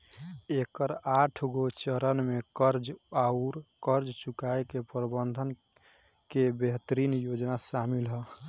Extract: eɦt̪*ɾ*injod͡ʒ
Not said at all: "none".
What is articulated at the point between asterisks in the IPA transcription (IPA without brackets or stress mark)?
ɾ